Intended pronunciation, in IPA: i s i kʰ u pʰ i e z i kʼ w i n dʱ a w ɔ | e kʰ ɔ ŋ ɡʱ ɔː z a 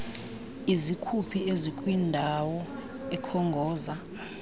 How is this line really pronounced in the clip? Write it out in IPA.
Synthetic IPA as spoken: i z i kʰ u pʰ i e z i kʼ w i n dʱ a w ɔ | ɛ kʰ ɔ ŋ ɡʱ ɔː z a